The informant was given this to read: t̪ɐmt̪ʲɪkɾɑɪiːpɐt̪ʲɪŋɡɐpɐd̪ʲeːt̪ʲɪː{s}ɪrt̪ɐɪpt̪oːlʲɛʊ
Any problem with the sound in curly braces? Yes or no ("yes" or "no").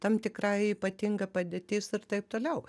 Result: no